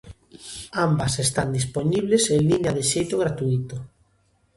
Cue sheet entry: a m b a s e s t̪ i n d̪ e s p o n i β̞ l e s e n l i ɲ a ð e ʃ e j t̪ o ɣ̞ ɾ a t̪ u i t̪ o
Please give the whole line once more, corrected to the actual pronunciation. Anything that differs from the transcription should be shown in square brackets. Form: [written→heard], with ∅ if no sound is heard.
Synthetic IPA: a m b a s e s t̪ [i→a] n d̪ [e→i] s p o n i β̞ l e s e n l i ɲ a ð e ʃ e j t̪ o ɣ̞ ɾ a t̪ u i t̪ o